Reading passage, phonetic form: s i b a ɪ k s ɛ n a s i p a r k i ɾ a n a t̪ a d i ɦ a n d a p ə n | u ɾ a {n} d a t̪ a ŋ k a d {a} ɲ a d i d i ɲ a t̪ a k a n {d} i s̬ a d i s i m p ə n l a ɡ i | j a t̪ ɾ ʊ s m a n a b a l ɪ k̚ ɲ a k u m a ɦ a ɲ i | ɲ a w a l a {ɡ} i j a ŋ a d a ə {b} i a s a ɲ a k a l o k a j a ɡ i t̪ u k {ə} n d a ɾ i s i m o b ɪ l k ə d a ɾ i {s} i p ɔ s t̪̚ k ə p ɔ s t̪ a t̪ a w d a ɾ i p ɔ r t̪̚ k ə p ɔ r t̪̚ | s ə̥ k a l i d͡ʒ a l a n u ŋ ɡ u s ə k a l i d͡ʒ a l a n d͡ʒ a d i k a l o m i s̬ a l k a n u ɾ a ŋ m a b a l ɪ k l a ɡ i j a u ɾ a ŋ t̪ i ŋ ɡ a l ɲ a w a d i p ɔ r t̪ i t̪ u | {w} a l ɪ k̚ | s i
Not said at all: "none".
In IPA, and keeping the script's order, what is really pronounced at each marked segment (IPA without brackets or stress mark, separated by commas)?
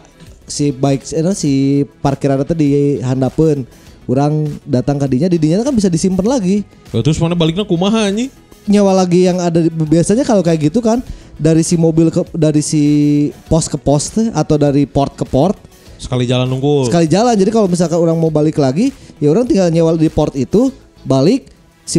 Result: ŋ, i, b, ɡ, b, a, s, b